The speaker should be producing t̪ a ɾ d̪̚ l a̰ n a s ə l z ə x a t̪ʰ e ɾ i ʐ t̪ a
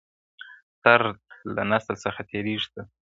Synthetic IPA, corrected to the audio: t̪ a ɾ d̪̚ l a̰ n a s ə l s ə x a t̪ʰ e ɾ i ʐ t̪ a